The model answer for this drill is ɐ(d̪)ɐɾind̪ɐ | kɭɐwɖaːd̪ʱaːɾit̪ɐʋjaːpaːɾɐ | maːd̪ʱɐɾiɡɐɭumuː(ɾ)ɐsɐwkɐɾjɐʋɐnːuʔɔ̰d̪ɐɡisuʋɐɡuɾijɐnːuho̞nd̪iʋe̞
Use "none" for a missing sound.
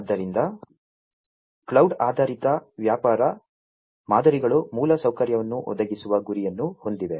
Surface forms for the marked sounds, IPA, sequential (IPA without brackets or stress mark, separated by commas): d̪ː, l